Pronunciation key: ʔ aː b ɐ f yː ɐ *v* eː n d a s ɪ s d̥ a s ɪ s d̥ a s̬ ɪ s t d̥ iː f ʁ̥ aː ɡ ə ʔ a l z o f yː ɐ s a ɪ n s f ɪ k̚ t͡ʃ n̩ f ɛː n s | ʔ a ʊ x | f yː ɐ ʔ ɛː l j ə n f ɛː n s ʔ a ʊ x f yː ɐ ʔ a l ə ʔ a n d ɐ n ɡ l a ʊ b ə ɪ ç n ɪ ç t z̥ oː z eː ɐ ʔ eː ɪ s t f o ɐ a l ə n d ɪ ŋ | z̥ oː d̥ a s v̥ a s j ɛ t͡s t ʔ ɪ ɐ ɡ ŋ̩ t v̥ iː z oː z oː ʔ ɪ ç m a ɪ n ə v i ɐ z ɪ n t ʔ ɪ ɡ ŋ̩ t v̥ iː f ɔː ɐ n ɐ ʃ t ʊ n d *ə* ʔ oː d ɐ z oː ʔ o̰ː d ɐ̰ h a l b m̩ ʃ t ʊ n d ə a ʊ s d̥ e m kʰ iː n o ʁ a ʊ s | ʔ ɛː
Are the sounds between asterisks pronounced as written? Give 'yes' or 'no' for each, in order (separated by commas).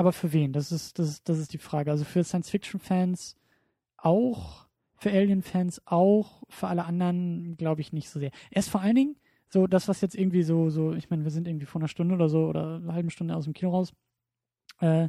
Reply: yes, yes